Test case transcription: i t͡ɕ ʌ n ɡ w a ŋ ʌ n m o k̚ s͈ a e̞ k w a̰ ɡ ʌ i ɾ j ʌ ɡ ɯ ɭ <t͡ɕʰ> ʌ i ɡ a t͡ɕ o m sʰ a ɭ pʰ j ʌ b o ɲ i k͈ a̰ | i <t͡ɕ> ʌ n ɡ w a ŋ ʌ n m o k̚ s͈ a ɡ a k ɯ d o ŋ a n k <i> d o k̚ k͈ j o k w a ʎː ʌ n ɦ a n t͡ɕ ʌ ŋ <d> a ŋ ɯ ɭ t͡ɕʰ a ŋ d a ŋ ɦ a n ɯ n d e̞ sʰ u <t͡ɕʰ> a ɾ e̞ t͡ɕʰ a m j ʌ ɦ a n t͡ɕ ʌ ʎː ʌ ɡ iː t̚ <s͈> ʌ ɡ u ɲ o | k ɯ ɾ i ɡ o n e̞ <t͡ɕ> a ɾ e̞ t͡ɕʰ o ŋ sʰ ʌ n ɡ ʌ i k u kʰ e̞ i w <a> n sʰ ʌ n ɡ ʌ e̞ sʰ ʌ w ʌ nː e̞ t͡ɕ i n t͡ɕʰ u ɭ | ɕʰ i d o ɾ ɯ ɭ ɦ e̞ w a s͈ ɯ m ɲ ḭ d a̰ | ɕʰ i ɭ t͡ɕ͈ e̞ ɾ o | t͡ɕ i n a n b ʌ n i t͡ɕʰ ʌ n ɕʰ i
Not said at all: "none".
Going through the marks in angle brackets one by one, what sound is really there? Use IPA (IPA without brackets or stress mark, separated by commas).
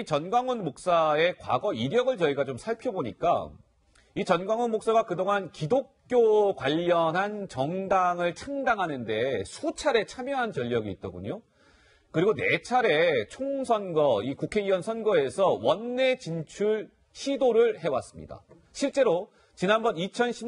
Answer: t͡ɕ, t͡ɕ, i, d, t͡ɕʰ, t͈, t͡ɕʰ, ʌ